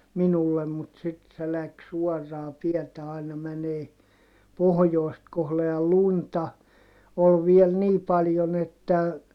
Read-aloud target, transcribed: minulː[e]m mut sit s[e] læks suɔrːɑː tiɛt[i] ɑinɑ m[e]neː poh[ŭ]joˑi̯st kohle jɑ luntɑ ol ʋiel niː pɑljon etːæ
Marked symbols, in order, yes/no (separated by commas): yes, yes, no, no, no